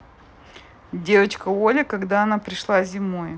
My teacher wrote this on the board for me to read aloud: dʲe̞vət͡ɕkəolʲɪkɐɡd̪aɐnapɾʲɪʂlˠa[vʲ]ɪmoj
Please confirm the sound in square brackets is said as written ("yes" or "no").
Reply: no